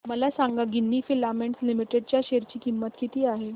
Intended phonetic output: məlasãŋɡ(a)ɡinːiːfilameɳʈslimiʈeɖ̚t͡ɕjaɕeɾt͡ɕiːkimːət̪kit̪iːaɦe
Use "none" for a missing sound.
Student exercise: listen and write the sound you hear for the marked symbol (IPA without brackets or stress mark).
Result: a